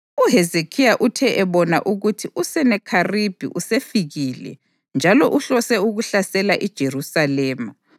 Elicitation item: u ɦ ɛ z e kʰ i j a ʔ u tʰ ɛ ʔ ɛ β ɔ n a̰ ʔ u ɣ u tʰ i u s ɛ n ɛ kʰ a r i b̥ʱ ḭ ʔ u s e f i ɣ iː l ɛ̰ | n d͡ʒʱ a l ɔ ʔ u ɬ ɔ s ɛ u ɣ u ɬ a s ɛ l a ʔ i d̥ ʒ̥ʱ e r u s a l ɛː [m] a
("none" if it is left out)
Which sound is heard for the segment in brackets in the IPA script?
m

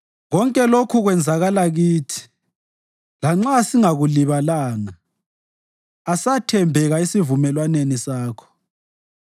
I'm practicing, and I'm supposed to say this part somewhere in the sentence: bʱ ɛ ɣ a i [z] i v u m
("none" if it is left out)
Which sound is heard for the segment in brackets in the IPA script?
s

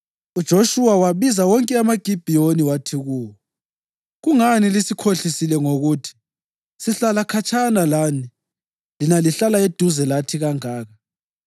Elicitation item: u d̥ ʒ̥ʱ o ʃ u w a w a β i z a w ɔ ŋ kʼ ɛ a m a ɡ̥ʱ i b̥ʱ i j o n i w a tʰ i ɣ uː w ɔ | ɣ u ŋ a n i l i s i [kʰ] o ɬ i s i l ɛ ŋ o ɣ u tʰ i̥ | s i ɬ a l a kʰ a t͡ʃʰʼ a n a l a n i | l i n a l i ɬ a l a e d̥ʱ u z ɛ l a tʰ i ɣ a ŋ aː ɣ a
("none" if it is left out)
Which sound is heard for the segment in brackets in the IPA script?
kʰ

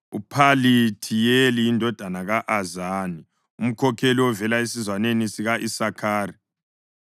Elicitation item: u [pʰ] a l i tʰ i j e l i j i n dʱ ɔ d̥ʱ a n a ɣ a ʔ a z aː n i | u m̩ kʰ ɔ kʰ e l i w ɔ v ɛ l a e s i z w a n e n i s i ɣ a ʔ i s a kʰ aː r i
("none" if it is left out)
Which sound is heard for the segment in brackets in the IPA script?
pʰ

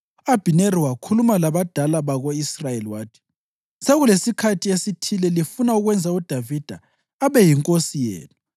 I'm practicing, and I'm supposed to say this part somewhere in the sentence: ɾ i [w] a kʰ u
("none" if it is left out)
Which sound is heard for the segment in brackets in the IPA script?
w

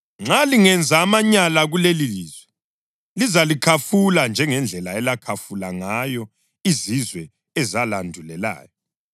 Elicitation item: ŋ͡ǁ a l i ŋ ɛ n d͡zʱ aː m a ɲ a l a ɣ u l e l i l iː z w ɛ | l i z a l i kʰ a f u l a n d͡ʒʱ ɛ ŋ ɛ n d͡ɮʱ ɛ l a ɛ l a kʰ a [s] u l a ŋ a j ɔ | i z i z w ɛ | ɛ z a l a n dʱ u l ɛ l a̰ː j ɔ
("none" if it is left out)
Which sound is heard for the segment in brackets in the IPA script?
f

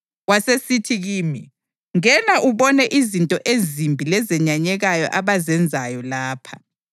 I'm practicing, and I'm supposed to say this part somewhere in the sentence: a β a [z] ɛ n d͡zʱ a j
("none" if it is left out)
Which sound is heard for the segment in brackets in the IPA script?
z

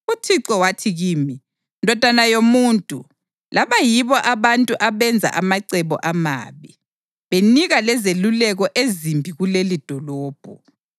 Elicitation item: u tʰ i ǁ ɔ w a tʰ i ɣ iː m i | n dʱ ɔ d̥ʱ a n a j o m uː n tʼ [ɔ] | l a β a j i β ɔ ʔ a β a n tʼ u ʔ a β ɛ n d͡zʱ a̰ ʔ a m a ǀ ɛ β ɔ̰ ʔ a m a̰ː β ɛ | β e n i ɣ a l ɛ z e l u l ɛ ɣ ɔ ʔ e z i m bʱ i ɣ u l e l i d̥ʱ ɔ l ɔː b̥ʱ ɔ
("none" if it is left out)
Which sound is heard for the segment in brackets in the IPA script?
u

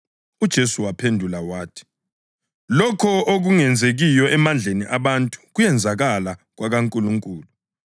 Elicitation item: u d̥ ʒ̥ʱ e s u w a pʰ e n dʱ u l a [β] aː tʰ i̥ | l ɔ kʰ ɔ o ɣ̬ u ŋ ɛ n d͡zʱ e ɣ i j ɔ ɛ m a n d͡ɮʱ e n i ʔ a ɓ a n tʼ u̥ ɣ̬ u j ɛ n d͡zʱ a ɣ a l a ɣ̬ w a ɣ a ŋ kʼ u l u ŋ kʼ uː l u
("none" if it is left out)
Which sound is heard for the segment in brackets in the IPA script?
w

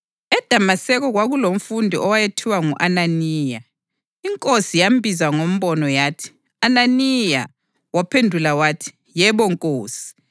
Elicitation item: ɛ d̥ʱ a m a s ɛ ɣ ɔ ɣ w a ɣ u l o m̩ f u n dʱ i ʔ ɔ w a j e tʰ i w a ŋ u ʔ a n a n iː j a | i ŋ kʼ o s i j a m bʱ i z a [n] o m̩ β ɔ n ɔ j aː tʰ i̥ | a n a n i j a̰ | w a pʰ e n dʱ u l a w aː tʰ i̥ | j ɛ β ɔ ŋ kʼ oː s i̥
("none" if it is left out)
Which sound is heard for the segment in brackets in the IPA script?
ŋ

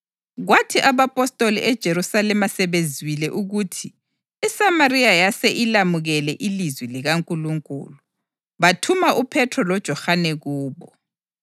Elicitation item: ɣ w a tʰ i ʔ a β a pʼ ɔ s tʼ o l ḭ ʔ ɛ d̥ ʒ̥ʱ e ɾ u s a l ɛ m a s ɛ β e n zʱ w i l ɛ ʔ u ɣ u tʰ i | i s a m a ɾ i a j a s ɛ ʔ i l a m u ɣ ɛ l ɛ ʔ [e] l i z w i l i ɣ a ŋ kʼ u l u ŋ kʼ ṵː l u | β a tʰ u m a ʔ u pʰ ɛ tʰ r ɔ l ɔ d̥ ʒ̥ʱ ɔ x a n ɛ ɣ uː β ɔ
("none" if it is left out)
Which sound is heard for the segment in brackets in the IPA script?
i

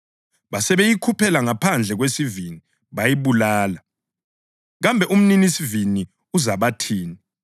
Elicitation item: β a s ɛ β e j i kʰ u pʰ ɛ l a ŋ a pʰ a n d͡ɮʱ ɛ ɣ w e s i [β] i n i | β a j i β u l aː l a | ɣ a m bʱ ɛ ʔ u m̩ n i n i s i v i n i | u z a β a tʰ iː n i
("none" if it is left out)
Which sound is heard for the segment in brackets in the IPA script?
v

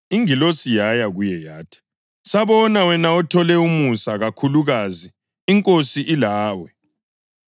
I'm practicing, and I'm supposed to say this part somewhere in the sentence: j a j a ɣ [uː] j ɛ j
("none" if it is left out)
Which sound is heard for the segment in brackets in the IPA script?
u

